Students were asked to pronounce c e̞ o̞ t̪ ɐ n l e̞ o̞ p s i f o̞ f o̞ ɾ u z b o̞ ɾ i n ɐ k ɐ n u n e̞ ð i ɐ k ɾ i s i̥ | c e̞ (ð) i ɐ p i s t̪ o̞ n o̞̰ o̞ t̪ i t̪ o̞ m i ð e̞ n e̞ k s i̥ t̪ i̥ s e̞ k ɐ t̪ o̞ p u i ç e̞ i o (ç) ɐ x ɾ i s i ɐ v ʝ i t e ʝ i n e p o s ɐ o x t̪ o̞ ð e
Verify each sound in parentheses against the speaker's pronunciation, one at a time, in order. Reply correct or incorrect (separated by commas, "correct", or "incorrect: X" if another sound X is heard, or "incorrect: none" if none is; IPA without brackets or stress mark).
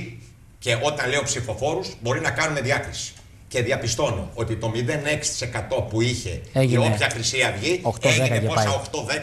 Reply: correct, correct